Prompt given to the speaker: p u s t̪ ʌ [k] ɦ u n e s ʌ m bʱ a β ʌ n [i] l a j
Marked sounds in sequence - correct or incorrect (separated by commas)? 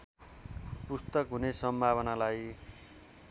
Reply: correct, incorrect